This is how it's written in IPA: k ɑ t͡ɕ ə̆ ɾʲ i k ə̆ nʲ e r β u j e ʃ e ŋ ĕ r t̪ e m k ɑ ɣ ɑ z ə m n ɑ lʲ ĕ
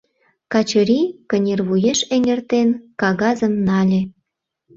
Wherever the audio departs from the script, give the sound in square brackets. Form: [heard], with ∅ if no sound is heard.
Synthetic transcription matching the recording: k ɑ t͡ɕ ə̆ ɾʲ i k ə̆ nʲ e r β u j e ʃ e ŋ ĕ r t̪ e [n] k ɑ ɣ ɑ z ə m n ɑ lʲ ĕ